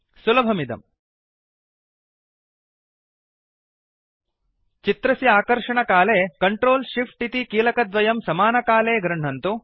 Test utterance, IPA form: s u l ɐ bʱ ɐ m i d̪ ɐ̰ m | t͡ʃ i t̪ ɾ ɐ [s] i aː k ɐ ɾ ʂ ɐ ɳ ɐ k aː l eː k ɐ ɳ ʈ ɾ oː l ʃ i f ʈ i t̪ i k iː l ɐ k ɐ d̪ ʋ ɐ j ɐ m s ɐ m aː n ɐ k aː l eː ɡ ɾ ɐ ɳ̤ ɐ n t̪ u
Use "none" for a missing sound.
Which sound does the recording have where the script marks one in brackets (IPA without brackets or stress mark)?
s